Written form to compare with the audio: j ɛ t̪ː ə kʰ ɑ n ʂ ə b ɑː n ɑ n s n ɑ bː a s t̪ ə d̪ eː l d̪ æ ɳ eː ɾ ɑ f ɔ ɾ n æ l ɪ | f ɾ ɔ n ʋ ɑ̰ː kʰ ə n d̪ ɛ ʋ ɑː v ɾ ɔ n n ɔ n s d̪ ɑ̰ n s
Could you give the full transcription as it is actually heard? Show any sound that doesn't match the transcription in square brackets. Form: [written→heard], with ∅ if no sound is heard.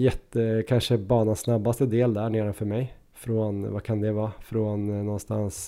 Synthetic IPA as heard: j ɛ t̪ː ə kʰ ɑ n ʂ ə b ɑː n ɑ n s n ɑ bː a s t̪ ə d̪ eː l d̪ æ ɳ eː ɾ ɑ f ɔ ɾ [n→m] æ [l→∅] ɪ | f ɾ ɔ n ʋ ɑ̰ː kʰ [ə→ɑ] n d̪ ɛ ʋ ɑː [v→f] ɾ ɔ n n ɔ n s [d̪→t̪] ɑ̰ n s